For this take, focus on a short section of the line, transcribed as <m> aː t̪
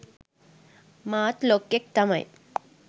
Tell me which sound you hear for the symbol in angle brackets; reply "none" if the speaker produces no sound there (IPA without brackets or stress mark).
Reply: m